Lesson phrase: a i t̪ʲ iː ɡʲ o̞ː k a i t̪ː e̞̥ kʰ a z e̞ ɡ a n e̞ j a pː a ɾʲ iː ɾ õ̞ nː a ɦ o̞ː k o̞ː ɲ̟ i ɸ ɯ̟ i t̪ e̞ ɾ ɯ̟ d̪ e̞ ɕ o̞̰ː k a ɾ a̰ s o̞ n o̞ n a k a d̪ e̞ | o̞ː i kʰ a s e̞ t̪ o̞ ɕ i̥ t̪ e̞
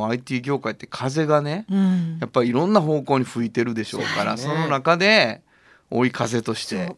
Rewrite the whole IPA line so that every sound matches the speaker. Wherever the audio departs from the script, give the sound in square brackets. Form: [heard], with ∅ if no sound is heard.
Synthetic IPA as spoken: a i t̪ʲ iː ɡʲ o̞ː k a i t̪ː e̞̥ kʰ a z e̞ ɡ a n e̞ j a pː a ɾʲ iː ɾ õ̞ nː a ɦ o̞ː k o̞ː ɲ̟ i ɸ ɯ̟ i t̪ e̞ ɾ ɯ̟ d̪ e̞ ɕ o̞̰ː k a ɾ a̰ s o̞ n o̞ n a k a d̪ e̞ | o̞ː i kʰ a [z] e̞ t̪ o̞ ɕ i̥ t̪ e̞